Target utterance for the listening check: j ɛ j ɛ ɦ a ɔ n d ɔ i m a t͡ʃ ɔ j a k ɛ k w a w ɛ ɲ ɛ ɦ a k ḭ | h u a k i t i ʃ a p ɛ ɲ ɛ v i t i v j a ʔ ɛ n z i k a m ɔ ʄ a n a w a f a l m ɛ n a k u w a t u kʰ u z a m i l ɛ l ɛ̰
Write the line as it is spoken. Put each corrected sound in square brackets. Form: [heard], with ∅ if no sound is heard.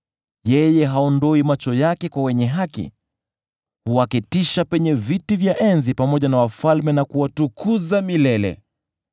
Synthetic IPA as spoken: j ɛ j ɛ ɦ a ɔ n d ɔ i m a t͡ʃ ɔ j a k ɛ k w a w ɛ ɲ ɛ ɦ a k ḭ | h u a k i t i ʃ a p ɛ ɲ ɛ v i t i v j a ʔ ɛ n z i [p] a m ɔ ʄ a n a w a f a l m ɛ n a k u w a t u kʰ u z a m i l ɛ l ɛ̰